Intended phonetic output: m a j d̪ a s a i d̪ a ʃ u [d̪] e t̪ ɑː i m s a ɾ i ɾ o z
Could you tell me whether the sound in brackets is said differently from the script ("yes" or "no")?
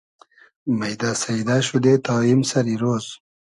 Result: no